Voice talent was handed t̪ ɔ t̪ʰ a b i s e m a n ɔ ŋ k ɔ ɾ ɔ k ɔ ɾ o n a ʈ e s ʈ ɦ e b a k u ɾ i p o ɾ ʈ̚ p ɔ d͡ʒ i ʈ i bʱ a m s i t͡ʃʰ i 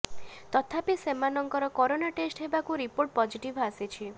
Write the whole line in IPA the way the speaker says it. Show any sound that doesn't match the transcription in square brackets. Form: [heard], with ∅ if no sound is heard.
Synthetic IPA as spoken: t̪ ɔ t̪ʰ a [p] i s e m a n ɔ ŋ k ɔ ɾ ɔ k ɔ ɾ o n a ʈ e s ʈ ɦ e b a k u ɾ i p o ɾ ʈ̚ p ɔ d͡ʒ i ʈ i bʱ a [∅] s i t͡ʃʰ i